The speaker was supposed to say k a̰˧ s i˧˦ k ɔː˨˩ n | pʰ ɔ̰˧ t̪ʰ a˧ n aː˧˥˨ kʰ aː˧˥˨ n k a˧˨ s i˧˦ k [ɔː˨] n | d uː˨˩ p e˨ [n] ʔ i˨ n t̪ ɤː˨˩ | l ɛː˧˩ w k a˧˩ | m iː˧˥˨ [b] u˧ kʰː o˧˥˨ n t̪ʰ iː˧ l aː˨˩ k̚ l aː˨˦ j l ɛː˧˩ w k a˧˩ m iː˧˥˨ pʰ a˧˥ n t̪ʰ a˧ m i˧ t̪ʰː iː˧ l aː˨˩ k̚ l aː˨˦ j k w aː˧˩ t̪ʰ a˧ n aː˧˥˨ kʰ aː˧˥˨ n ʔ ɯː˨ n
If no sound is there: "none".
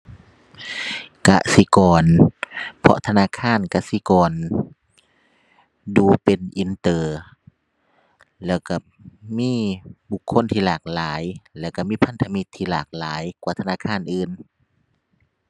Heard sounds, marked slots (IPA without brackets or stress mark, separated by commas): ɔː˨, n, b